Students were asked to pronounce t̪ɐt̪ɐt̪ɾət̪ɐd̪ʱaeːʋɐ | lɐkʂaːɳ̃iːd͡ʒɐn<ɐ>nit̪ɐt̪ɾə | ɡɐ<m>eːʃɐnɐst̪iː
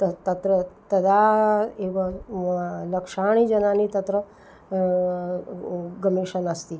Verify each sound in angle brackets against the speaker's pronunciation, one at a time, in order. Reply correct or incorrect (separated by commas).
incorrect, correct